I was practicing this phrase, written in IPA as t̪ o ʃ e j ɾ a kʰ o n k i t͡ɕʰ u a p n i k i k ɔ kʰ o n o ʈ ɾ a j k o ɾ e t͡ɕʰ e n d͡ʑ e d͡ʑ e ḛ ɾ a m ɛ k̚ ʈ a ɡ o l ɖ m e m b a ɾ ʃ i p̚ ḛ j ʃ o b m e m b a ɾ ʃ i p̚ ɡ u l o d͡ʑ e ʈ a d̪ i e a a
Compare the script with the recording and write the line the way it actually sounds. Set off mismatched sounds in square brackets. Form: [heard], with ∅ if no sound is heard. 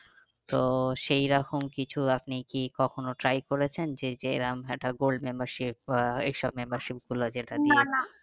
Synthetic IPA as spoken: t̪ o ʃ e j ɾ a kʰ o [m] k i t͡ɕʰ u a p n i k i k ɔ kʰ o n o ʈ ɾ a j k o ɾ e t͡ɕʰ e n d͡ʑ e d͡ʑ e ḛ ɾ a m ɛ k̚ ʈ a ɡ o l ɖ m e m b a ɾ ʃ i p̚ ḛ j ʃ [ɔ] b m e m b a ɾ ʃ i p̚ ɡ u l o d͡ʑ e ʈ a d̪ i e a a